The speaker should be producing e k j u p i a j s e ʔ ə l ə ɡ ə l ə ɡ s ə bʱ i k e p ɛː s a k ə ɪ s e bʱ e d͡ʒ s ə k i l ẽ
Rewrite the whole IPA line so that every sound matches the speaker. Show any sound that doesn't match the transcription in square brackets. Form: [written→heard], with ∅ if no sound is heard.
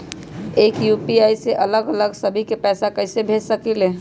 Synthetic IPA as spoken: e k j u p i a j s e ʔ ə l ə ɡ ə l ə ɡ s ə bʱ i k e p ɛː s a k ə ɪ s e bʱ e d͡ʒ s ə k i l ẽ